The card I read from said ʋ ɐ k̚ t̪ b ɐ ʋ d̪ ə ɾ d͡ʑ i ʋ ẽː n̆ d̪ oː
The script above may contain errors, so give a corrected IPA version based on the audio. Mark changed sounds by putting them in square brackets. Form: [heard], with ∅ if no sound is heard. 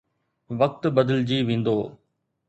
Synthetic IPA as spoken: ʋ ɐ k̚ t̪ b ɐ [∅] d̪ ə [l] d͡ʑ [iː] ʋ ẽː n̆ d̪ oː

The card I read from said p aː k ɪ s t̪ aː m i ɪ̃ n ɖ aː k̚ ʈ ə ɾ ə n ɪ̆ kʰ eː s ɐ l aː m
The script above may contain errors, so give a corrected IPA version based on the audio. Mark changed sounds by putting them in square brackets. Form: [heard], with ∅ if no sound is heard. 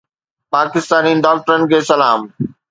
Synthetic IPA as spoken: p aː k ɪ s t̪ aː [n] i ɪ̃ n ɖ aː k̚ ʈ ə ɾ ə n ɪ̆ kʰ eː s ɐ l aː m

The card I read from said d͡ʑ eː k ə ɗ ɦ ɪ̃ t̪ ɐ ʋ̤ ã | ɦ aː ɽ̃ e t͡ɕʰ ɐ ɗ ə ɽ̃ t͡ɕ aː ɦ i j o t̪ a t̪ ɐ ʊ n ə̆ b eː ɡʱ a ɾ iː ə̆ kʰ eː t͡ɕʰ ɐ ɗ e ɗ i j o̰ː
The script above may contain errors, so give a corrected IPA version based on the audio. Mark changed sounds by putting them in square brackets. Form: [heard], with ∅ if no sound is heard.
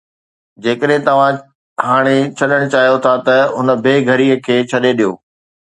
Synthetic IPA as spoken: d͡ʑ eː k ə ɗ ɦ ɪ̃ t̪ ɐ ʋ̤ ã | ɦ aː ɽ̃ e t͡ɕʰ ɐ ɗ ə ɽ̃ t͡ɕ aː ɦ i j o [t̪ʰ] a t̪ ɐ ʊ n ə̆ b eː ɡʱ [ɐ] ɾ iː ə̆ kʰ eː t͡ɕʰ ɐ ɗ e ɗ i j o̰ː

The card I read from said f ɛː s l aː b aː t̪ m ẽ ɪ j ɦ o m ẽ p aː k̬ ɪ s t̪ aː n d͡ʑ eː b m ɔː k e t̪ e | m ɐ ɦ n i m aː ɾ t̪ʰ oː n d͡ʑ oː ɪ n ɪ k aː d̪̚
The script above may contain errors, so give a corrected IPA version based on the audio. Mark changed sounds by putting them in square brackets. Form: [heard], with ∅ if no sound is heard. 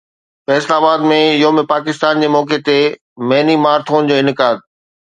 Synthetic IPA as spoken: f ɛː s l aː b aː [d̪] m ẽ ɪ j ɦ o m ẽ p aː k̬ ɪ s t̪ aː n d͡ʑ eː [∅] m ɔː k e t̪ e | m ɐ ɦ n i m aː ɾ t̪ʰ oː n d͡ʑ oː ɪ n ɪ k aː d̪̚

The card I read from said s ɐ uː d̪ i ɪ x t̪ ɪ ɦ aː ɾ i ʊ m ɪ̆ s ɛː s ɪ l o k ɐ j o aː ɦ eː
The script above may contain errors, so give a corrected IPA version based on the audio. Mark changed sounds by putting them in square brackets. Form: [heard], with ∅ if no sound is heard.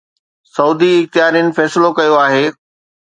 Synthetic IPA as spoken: s ɐ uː d̪ i ɪ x t̪ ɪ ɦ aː ɾ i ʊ [n] ɪ̆ [f] ɛː s ɪ l o k ɐ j o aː ɦ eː

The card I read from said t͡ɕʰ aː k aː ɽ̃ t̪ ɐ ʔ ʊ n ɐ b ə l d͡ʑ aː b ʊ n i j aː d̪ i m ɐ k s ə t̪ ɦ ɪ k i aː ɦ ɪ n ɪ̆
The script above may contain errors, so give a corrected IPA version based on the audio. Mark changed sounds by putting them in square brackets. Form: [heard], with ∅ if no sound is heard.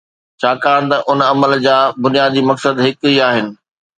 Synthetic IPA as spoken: t͡ɕʰ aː k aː ɽ̃ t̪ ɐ ʔ ʊ n ɐ [m] ə l d͡ʑ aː b ʊ n i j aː d̪ i m ɐ k s ə [d̪] ɦ ɪ k i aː ɦ ɪ n ɪ̆

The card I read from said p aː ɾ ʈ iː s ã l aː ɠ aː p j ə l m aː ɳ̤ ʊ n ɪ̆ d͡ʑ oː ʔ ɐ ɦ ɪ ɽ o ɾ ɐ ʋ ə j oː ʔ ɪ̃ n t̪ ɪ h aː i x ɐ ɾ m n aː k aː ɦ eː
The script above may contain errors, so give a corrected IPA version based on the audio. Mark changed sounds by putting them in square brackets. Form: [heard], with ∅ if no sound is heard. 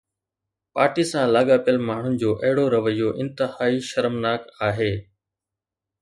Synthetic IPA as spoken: p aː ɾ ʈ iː s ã l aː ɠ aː p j ə l m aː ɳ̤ ʊ n ɪ̆ d͡ʑ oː ʔ ɐ ɦ ɪ ɽ o ɾ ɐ ʋ ə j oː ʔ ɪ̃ n t̪ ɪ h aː i [ʃ] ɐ ɾ m n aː k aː ɦ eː

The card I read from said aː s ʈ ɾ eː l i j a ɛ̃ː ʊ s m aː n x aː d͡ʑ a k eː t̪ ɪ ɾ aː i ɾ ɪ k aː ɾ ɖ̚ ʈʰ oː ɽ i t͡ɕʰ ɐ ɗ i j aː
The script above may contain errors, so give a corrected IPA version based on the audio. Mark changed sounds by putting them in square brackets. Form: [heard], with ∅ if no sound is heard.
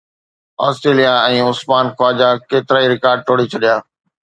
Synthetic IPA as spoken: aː s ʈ ɾ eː l i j a ɛ̃ː ʊ s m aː n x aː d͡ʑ a k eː t̪ ɪ ɾ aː i ɾ ɪ k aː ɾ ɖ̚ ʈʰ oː ɽ i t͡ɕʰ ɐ ɗ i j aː

